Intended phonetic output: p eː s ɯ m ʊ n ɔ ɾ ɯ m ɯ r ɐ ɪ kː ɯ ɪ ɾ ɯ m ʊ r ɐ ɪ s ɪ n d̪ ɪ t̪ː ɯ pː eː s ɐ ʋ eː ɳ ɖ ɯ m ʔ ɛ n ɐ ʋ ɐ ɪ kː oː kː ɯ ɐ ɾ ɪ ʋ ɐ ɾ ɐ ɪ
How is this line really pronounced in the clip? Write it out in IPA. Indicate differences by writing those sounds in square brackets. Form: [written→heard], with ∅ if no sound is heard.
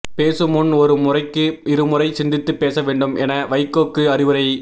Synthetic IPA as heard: p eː s ɯ m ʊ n ɔ ɾ ɯ m [ɯ→ʊ] r ɐ ɪ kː ɯ ɪ ɾ ɯ m ʊ r ɐ ɪ s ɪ n d̪ ɪ t̪ː ɯ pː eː s ɐ ʋ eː ɳ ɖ ɯ m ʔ ɛ n ɐ ʋ ɐ ɪ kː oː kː ɯ ɐ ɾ ɪ ʋ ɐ ɾ ɐ ɪ